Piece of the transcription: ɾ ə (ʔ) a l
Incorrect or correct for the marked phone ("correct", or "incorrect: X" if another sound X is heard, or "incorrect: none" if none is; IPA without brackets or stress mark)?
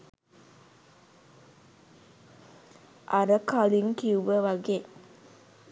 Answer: incorrect: k